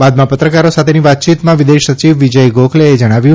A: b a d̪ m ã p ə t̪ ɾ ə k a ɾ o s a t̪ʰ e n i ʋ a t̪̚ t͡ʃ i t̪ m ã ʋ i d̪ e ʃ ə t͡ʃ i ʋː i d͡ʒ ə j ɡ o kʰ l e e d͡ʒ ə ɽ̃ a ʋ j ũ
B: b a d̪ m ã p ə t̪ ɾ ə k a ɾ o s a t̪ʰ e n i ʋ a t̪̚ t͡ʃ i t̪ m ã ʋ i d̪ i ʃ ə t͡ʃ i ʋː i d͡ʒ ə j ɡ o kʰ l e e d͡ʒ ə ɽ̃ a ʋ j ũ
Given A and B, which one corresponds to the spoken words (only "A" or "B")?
A